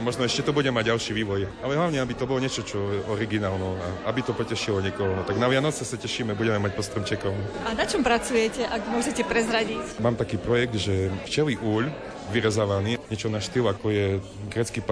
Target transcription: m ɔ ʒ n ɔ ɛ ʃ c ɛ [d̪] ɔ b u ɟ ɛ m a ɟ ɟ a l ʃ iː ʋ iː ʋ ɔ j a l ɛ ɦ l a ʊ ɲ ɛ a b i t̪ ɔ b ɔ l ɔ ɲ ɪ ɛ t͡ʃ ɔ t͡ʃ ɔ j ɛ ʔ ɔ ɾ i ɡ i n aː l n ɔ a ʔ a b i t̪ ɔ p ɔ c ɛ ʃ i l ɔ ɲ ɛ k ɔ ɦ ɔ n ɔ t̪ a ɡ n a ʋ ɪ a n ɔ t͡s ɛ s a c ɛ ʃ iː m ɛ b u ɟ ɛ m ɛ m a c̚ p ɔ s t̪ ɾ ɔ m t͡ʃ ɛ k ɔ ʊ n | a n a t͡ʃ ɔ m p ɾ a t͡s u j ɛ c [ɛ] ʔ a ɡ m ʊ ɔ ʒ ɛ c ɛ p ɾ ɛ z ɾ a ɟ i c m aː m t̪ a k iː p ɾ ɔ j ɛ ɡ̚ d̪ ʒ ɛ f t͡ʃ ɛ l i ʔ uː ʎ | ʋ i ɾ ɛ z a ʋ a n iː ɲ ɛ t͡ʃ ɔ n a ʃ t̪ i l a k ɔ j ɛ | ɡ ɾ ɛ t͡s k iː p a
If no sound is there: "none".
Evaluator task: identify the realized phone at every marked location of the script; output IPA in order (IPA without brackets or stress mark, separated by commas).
t̪, ɛ